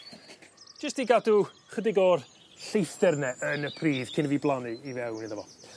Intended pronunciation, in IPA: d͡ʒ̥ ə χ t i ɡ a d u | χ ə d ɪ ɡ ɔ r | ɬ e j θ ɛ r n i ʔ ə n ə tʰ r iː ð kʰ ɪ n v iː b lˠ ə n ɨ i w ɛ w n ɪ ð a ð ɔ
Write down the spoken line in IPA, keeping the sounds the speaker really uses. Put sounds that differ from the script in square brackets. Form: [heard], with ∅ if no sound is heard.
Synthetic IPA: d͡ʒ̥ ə [s] t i ɡ a d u | χ ə d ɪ ɡ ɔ r | ɬ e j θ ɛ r n [ɛ] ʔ ə n ə [pʰ] r iː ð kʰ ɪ n v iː b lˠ [a] n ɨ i [v] ɛ w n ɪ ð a [v] ɔ